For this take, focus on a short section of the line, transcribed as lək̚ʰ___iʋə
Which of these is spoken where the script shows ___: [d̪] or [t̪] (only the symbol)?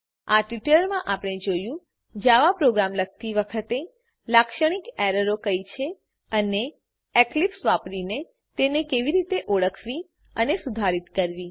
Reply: t̪